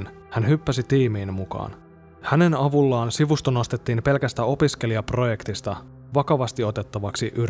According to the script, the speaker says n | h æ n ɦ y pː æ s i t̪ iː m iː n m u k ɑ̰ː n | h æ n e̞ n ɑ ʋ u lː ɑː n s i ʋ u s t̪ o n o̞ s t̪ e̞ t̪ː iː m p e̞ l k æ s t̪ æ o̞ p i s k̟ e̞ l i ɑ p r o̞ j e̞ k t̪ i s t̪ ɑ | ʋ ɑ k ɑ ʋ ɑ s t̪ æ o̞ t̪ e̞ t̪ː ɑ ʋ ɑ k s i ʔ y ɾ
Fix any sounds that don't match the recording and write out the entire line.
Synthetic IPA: n | h æ n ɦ y pː æ s i t̪ iː m iː n m u k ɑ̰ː n | h æ n e̞ n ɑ ʋ u lː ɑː n s i ʋ u s t̪ o n o̞ s t̪ e̞ t̪ː iː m p e̞ l k æ s t̪ æ o̞ p i s k̟ e̞ l i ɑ p r o̞ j e̞ k t̪ i s t̪ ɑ | ʋ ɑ k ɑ ʋ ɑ s t̪ i o̞ t̪ e̞ t̪ː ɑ ʋ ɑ k s i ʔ y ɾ